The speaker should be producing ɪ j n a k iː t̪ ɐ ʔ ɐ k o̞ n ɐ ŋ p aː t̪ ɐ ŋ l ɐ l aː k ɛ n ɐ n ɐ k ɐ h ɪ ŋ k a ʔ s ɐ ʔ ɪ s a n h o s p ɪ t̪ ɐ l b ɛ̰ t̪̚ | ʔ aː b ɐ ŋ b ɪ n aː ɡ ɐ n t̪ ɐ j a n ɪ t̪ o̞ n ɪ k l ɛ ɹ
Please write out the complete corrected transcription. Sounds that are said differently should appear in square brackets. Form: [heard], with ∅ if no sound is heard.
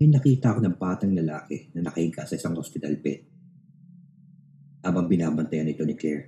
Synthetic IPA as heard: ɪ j n [ɐ] k iː t̪ ɐ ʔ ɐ k o̞ n ɐ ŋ p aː t̪ ɐ ŋ l ɐ l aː k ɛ n ɐ n ɐ k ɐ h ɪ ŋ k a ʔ s ɐ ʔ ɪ s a [ŋ] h o s p ɪ t̪ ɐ l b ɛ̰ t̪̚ | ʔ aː b ɐ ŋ b ɪ n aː [b] ɐ n t̪ ɐ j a n ɪ t̪ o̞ n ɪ k l ɛ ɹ